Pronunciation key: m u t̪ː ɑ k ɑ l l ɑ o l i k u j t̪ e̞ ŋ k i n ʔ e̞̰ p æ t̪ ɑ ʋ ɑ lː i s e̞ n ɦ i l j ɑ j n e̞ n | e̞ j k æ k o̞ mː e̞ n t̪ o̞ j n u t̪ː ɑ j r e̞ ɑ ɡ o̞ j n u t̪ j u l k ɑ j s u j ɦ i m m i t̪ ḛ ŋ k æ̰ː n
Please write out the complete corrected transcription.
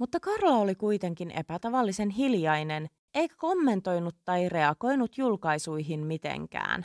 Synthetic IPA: m u t̪ː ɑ k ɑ r l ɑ o l i k u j t̪ e̞ ŋ k i n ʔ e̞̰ p æ t̪ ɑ ʋ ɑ lː i s e̞ n ɦ i l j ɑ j n e̞ n | e̞ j k æ k o̞ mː e̞ n t̪ o̞ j n u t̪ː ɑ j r e̞ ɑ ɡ o̞ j n u t̪ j u l k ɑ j s u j ɦ i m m i t̪ ḛ ŋ k æ̰ː n